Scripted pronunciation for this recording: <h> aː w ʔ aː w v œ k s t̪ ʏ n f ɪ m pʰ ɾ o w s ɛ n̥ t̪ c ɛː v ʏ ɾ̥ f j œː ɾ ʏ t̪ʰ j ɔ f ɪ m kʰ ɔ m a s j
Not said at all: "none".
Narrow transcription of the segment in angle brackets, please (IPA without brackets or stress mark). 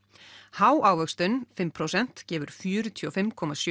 h